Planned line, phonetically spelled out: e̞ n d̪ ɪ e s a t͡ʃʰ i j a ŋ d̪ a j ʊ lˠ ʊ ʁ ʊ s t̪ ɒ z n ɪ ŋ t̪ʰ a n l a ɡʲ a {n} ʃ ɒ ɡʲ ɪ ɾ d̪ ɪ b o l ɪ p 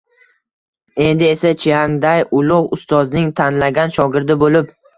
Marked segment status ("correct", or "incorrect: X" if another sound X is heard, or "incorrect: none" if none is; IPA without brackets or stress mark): correct